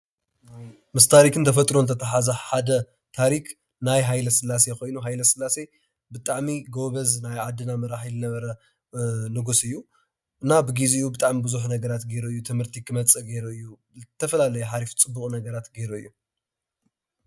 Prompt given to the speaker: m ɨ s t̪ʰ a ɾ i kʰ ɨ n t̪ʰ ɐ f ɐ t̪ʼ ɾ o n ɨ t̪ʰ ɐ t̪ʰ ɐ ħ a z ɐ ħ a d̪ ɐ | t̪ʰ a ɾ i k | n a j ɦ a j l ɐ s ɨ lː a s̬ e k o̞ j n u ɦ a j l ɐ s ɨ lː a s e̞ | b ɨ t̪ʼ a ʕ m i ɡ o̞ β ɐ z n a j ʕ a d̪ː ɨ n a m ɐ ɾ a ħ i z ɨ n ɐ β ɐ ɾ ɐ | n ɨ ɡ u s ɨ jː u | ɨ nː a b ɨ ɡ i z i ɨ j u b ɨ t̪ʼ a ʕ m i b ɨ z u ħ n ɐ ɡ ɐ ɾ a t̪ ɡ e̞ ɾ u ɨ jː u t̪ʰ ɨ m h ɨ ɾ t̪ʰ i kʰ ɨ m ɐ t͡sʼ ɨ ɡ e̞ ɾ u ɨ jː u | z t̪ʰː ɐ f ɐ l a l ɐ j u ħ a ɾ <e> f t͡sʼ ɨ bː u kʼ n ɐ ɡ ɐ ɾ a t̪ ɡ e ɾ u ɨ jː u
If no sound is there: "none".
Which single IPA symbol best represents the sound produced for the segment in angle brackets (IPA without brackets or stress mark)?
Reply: i